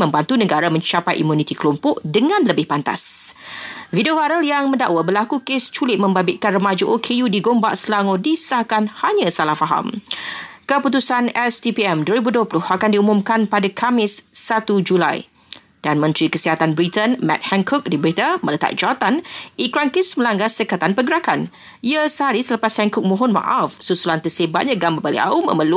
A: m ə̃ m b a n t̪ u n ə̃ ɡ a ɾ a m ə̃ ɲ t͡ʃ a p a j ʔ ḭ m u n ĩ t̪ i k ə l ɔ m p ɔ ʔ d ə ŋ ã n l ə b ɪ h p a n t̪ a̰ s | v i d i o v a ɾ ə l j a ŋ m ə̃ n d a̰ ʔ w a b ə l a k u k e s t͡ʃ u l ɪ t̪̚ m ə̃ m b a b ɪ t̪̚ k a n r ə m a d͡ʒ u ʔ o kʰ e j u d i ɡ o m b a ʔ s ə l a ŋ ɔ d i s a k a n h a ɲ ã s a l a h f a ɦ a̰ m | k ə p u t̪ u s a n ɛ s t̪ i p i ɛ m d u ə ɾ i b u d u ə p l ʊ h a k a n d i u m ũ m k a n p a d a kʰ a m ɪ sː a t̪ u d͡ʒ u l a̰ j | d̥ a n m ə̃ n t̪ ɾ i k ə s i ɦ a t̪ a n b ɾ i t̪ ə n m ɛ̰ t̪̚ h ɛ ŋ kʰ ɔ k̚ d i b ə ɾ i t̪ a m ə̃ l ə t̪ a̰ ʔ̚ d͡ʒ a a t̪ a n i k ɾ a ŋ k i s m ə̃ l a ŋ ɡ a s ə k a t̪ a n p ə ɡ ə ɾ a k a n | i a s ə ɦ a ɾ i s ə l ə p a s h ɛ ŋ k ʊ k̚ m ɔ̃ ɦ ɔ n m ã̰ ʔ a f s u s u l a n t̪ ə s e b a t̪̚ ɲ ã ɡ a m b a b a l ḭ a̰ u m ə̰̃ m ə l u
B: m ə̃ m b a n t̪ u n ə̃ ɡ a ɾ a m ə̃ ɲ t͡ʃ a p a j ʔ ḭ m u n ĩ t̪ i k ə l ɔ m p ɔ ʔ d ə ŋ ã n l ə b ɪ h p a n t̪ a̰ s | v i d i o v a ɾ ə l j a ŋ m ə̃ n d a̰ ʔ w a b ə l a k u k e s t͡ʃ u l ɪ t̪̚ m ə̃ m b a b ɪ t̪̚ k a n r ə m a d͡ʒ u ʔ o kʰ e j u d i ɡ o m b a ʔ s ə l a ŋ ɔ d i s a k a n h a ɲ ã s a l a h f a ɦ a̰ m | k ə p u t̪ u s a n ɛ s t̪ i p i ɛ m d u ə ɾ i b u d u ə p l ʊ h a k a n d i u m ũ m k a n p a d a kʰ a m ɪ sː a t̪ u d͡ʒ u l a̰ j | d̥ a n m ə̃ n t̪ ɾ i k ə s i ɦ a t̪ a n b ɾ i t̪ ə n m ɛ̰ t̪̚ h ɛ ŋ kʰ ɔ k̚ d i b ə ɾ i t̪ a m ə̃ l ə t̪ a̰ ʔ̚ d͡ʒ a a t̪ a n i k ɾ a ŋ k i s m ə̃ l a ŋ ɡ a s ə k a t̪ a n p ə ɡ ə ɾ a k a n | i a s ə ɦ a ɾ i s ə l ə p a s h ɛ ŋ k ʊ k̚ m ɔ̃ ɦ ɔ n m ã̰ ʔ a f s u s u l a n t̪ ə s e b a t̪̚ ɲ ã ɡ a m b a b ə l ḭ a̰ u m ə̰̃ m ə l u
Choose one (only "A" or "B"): A